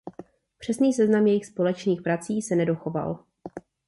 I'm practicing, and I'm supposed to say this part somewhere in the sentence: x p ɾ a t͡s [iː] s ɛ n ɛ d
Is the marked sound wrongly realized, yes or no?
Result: no